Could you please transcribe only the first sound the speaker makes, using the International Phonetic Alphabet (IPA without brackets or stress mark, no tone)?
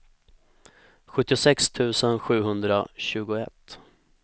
ɧ